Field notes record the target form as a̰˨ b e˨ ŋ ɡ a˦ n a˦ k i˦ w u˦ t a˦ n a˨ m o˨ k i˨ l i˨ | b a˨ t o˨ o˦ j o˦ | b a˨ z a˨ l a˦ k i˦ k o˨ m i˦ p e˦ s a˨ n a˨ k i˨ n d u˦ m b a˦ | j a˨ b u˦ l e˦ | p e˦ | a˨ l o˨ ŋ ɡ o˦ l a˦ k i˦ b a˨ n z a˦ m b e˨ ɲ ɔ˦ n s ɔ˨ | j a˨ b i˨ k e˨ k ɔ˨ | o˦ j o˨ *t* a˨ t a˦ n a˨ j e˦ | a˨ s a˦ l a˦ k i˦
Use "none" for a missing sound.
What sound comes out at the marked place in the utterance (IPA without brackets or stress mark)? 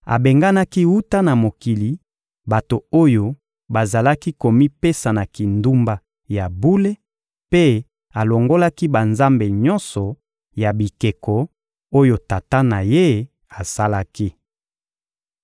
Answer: t